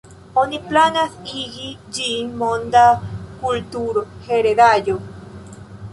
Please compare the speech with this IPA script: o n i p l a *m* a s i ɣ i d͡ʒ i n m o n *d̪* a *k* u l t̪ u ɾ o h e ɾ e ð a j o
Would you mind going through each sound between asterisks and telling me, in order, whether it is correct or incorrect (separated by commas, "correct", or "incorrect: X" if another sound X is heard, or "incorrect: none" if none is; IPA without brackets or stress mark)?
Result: incorrect: n, correct, correct